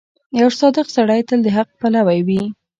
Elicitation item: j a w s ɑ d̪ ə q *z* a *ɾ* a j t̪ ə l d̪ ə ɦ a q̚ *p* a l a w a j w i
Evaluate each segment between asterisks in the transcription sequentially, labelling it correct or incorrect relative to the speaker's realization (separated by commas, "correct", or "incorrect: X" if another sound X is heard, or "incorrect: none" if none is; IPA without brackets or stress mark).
incorrect: s, incorrect: ɽ, correct